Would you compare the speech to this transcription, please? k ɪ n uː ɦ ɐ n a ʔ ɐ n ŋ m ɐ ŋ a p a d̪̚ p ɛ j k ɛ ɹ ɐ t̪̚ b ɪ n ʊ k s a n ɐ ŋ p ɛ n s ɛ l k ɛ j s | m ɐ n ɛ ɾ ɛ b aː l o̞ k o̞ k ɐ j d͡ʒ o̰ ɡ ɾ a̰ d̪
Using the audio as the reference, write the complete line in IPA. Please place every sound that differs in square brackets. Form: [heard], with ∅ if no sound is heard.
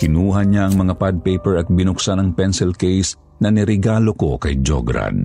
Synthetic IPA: k ɪ n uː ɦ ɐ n a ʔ ɐ [∅] ŋ m ɐ ŋ a p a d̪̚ p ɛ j [p] ɛ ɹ ɐ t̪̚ b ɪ n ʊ k s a n ɐ ŋ p ɛ n s ɛ l k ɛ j s | [n] ɐ n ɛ ɾ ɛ [ɡ] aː l o̞ k o̞ k ɐ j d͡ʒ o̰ ɡ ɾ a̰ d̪